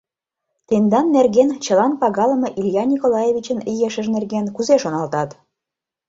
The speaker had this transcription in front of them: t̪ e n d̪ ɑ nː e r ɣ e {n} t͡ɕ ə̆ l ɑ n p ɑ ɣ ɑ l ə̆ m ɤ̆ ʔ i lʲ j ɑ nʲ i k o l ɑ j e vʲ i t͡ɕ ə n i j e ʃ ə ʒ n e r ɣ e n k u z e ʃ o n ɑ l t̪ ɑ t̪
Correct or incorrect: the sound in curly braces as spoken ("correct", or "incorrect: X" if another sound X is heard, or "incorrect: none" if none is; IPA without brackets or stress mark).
correct